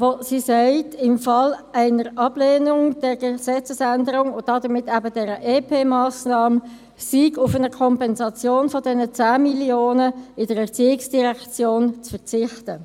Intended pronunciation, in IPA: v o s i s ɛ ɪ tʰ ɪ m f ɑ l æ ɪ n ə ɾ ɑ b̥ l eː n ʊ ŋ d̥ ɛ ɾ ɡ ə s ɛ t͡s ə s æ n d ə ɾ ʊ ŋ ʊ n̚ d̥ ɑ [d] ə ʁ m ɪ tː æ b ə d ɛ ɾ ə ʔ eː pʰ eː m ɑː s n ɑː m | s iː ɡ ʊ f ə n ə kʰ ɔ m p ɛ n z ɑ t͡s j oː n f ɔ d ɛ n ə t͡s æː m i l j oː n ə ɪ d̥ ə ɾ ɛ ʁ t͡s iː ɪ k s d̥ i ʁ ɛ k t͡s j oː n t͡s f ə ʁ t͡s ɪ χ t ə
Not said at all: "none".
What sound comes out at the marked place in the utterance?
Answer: d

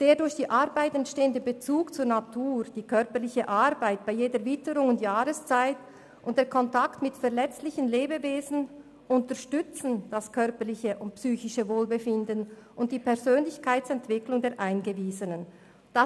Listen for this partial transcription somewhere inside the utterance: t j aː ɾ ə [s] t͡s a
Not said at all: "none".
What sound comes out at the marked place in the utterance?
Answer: s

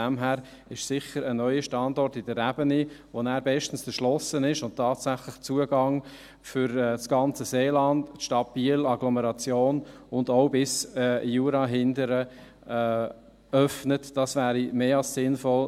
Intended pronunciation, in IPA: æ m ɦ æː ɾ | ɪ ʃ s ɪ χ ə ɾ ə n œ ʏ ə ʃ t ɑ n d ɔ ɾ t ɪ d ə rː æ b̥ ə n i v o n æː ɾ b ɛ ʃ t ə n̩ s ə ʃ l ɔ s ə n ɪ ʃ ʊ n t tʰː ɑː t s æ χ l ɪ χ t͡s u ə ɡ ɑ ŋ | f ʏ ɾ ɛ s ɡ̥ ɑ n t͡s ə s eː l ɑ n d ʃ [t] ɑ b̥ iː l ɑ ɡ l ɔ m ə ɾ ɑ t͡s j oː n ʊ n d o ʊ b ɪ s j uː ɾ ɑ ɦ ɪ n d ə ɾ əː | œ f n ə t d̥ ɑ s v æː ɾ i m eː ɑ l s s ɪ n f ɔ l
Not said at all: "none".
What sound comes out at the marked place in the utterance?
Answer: t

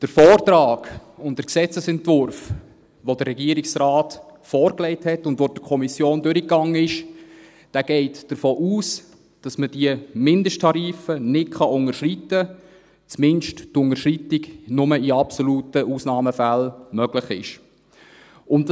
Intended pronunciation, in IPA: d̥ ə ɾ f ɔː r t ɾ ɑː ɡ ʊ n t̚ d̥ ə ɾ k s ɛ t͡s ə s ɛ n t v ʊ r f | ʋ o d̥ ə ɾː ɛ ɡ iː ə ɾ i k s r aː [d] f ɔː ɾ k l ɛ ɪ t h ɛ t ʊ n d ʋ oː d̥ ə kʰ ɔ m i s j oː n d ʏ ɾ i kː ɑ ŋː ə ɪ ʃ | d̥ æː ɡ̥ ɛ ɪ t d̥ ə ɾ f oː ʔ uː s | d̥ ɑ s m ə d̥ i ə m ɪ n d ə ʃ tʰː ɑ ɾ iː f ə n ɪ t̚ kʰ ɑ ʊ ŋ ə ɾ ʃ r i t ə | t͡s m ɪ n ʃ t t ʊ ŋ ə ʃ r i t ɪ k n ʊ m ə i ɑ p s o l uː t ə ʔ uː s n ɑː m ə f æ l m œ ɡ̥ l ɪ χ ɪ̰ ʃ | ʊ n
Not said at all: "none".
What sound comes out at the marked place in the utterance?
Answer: t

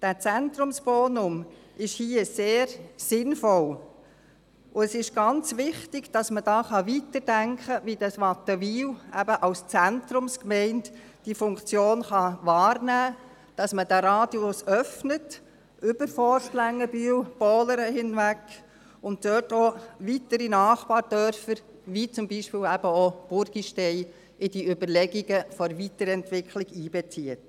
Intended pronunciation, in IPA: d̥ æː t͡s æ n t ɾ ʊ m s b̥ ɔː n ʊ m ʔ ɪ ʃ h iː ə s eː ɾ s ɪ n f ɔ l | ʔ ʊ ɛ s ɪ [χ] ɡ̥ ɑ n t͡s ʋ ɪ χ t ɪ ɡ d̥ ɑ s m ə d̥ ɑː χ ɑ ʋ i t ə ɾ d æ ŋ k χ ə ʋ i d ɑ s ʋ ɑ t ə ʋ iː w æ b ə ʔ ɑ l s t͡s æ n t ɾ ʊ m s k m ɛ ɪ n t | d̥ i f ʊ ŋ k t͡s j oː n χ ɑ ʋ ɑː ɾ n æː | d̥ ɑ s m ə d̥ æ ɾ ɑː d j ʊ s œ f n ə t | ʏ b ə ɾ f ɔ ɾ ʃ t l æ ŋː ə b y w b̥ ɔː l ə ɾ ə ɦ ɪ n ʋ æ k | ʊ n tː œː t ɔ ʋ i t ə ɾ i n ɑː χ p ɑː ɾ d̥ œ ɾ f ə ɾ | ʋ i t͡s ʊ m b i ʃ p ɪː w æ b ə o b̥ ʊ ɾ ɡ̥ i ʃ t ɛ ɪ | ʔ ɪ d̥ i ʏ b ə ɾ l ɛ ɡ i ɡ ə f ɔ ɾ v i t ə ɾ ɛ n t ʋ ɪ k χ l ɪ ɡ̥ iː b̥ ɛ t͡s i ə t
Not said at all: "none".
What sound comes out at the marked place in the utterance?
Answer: ʃ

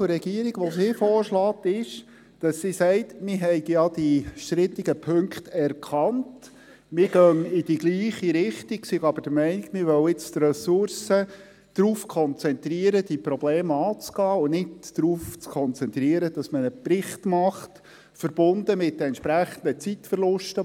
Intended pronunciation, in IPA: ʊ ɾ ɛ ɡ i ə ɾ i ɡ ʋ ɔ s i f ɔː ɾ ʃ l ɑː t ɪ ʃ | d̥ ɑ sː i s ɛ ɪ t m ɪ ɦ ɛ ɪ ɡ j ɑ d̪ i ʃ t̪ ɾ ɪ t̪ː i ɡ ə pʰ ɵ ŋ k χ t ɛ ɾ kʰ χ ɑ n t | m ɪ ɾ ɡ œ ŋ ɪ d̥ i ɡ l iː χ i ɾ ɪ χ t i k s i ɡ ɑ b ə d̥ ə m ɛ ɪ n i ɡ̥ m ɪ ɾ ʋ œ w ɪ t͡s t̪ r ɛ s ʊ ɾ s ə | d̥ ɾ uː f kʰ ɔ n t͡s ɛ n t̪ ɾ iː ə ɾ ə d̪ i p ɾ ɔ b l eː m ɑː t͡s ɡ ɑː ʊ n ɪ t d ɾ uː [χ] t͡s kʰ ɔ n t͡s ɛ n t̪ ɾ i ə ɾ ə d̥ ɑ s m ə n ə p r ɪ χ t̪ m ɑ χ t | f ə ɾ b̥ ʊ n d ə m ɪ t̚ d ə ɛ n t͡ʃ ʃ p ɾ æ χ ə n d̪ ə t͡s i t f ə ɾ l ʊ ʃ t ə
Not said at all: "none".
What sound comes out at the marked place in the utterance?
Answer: f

